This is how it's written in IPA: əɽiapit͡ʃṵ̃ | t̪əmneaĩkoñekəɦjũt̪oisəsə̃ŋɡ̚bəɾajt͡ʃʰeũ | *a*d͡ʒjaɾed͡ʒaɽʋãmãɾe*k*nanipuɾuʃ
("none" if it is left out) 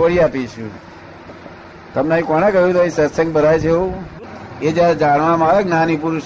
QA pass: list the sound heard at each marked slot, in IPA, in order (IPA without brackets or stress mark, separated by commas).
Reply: e, ɡ